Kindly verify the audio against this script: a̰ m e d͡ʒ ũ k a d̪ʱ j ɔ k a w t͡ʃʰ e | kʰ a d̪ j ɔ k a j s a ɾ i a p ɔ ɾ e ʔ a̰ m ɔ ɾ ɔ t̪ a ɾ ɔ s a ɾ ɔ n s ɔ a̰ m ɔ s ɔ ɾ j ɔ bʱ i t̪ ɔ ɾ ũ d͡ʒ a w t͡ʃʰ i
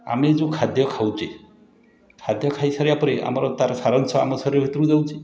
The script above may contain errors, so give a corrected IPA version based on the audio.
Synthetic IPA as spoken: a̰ m e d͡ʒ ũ kʰ a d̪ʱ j ɔ kʰ a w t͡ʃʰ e | kʰ a d̪ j ɔ kʰ a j s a ɾ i a p ɔ ɾ e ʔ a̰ m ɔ ɾ ɔ t̪ a ɾ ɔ s a ɾ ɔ n s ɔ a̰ m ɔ s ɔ ɾ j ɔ bʱ i t̪ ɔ ɾ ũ d͡ʒ a w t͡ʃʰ i